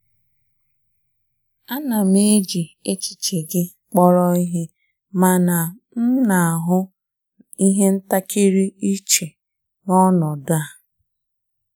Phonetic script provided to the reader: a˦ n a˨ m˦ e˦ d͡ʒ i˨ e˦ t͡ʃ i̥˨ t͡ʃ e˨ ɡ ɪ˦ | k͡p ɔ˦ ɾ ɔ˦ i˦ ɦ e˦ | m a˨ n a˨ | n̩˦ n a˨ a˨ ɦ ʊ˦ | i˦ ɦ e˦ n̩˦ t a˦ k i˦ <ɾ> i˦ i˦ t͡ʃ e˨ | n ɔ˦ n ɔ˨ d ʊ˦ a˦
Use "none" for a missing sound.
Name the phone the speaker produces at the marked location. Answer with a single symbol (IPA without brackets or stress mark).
ɾ